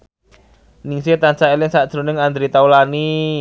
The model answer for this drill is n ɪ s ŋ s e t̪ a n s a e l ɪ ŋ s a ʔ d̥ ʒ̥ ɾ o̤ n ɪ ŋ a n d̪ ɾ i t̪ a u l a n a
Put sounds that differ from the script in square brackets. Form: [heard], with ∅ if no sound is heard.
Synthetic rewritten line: n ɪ [∅] ŋ s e t̪ a n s a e l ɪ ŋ s a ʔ d̥ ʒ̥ ɾ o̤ n ɪ ŋ a n d̪ ɾ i t̪ a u l a n [i]